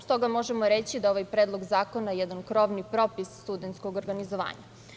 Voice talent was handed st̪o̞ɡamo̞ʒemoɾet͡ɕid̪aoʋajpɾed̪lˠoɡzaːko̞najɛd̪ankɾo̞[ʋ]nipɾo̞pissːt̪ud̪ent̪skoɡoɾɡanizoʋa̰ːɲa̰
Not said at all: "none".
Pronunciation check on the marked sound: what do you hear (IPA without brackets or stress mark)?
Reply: ʋ